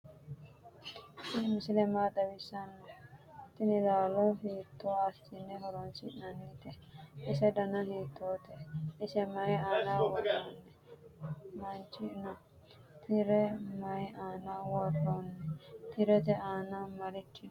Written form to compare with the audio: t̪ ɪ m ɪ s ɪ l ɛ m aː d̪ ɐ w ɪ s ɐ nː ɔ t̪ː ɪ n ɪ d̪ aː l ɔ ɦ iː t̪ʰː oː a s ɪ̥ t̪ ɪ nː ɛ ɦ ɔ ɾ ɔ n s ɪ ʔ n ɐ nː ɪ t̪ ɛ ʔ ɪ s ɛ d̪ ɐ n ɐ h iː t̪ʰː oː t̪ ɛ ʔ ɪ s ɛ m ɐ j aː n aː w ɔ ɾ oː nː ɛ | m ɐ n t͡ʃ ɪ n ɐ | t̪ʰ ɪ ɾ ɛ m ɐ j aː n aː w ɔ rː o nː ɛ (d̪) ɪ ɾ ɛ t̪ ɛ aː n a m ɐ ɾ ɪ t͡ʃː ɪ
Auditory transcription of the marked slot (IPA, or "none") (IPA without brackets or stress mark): t̪